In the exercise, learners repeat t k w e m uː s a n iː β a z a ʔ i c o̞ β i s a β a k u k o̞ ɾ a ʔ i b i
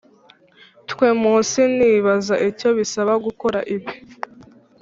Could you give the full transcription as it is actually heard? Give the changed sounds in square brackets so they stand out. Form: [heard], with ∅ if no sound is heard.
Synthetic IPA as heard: t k w e m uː s [i] n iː β a z a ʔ i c o̞ β i s a β a [ɡ] u k o̞ ɾ a ʔ i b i